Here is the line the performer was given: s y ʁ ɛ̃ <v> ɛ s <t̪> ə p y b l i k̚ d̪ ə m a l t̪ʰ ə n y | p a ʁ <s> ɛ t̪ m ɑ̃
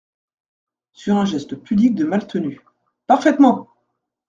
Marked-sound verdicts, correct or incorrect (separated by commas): incorrect, correct, incorrect